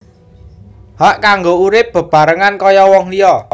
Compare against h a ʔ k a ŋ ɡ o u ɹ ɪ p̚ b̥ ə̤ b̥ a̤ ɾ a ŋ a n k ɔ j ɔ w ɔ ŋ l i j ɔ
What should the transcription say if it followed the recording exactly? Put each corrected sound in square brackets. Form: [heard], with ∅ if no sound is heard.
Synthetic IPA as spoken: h a ʔ k a ŋ ɡ o u [ɾ] ɪ p̚ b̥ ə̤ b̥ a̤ ɾ [ə] ŋ a n k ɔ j ɔ w ɔ ŋ l i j ɔ

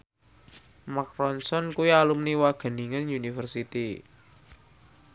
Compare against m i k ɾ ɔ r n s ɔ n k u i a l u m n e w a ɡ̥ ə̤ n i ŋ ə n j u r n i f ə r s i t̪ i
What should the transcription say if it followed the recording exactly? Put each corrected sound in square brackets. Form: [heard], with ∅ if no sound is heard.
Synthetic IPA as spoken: m [a] k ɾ ɔ [∅] n s ɔ n k u i a l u m n [i] w a ɡ̥ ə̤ n i ŋ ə n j u [∅] n i f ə r s i t̪ i

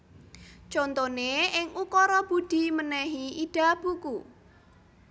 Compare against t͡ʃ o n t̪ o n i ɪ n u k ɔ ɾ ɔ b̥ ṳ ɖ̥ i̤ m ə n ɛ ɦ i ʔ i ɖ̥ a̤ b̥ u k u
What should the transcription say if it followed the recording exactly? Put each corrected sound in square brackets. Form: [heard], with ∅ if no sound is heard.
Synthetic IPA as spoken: t͡ʃ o n t̪ o n [e] ɪ [ŋ] u k ɔ ɾ ɔ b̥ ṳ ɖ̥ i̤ m ə n ɛ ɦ i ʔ i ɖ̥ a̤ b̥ u k u

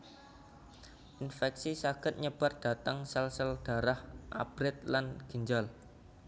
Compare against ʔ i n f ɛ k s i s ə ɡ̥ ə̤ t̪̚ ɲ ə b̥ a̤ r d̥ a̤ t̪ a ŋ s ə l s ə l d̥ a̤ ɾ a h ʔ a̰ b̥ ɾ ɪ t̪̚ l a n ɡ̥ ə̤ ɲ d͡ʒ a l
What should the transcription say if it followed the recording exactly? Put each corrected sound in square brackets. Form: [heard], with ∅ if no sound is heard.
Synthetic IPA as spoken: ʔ i n f ɛ k s i s [a] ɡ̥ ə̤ t̪̚ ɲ ə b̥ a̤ r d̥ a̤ t̪ a ŋ s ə l s ə l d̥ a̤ ɾ a h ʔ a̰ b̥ ɾ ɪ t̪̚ l a n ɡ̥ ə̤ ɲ d͡ʒ a l

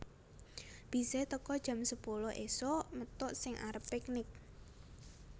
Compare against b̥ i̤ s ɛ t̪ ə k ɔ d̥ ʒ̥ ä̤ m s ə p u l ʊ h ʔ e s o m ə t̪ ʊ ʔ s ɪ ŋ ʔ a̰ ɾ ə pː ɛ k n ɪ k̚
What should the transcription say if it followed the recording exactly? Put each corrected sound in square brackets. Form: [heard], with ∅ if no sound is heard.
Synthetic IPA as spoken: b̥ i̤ s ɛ t̪ ə k ɔ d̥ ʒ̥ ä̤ m s ə p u l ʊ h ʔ e s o m ə t̪ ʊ ʔ s ɪ ŋ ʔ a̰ ɾ ə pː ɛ k n ɪ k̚

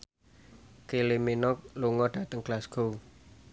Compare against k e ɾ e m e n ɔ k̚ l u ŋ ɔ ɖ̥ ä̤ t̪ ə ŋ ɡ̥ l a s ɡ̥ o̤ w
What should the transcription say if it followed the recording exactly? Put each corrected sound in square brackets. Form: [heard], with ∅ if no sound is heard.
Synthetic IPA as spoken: k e [l] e m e n ɔ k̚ l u ŋ ɔ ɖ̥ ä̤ t̪ ə ŋ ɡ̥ l a s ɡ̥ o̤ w

